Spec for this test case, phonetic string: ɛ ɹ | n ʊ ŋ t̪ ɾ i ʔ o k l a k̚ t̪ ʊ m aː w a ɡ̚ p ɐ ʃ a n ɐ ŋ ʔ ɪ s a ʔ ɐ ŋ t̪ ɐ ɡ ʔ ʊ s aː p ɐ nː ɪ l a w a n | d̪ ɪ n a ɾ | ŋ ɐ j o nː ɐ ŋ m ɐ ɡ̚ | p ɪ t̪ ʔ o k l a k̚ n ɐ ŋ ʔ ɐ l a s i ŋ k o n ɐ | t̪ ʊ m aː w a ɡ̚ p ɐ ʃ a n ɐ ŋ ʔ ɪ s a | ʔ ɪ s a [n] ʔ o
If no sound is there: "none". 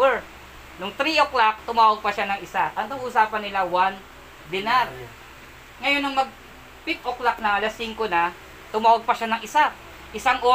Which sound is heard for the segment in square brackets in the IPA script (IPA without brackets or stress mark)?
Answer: ŋ